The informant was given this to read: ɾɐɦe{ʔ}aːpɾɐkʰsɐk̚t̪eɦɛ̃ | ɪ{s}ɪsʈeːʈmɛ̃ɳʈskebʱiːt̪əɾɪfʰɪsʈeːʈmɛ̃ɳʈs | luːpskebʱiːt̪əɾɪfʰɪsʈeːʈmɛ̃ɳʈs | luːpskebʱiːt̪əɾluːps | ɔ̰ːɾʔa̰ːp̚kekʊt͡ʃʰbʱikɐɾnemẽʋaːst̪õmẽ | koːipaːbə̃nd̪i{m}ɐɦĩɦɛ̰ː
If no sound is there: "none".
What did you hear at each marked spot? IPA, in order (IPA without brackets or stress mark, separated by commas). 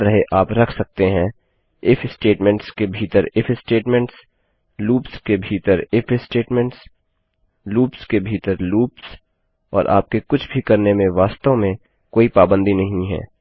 ʔ, f, n